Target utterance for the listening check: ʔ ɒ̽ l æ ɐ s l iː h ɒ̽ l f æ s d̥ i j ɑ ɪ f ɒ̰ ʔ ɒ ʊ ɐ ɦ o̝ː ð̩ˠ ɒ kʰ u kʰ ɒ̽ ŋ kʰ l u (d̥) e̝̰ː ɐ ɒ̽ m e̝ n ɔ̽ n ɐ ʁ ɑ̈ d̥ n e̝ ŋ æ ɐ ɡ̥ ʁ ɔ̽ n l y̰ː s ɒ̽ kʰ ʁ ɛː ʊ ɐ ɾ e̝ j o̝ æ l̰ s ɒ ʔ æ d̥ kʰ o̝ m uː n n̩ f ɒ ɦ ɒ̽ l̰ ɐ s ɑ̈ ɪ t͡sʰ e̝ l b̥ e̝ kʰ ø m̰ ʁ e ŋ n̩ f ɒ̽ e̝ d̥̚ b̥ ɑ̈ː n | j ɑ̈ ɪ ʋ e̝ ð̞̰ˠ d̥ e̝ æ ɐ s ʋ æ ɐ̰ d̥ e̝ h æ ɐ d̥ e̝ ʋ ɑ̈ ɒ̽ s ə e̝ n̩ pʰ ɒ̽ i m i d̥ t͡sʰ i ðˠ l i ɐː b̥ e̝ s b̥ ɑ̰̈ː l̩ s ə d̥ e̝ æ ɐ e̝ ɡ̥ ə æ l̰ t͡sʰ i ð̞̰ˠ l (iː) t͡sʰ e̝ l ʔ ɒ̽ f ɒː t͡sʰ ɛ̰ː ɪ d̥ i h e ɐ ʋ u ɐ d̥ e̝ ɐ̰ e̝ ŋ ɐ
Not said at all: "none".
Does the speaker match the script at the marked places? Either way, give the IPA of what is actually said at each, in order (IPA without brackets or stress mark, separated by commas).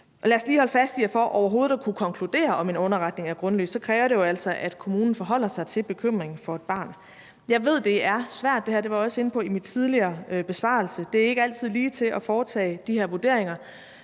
d̥, iː